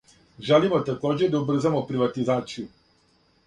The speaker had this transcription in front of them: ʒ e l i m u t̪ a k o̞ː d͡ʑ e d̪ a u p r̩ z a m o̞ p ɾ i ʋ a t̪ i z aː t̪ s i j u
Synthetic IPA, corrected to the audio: ʒ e l i m o t̪ a k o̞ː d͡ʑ e d̪ a u b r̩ z a m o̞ p ɾ i ʋ a t̪ i z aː t̪ s i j u